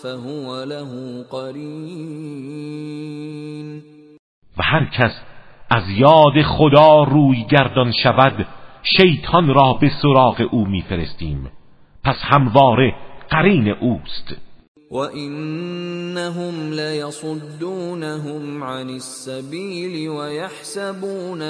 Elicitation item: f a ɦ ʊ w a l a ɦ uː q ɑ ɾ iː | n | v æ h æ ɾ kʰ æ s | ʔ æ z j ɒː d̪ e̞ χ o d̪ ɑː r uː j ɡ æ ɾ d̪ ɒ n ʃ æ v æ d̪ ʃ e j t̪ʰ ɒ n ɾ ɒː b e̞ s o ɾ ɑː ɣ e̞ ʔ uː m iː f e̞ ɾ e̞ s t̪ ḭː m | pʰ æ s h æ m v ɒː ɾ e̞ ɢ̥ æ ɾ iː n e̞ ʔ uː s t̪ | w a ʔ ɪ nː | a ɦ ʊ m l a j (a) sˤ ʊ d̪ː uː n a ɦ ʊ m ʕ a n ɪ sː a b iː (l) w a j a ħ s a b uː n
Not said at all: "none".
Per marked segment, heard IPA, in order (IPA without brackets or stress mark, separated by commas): ɑ, l